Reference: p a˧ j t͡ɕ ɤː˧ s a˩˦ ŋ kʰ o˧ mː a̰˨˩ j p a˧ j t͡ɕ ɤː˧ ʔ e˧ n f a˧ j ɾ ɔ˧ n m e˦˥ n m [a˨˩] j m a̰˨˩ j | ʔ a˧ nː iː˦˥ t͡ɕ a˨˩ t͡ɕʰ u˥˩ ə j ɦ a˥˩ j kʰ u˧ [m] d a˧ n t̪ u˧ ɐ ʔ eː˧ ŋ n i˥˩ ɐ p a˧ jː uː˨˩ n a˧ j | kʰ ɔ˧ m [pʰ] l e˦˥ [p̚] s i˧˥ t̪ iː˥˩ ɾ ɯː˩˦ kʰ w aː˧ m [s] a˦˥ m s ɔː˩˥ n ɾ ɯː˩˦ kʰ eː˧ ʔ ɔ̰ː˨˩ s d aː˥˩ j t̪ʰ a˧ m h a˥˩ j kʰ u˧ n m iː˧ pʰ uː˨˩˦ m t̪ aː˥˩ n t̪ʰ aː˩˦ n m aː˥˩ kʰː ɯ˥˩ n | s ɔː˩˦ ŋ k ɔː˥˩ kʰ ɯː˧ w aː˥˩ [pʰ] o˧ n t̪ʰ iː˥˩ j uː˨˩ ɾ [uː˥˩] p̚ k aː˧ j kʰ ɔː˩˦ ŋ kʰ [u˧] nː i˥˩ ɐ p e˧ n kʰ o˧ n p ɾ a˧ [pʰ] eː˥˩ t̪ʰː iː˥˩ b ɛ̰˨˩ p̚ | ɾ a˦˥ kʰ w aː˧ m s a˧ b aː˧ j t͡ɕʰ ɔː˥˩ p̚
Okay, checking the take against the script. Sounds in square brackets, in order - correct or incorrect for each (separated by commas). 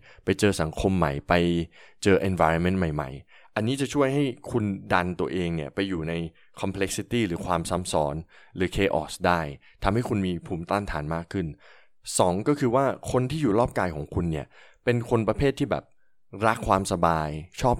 correct, incorrect, correct, incorrect, correct, incorrect, incorrect, correct, correct